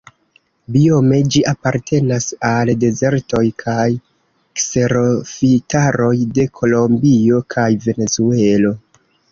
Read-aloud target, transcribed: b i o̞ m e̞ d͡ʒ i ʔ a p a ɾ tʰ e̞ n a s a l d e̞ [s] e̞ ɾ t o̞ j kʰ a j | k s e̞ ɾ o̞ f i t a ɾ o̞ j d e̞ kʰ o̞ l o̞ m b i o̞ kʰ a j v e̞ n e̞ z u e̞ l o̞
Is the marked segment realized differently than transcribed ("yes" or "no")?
yes